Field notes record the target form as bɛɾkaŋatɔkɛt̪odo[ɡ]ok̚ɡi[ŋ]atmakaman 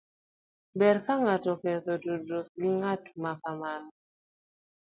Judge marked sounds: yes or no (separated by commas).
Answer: no, yes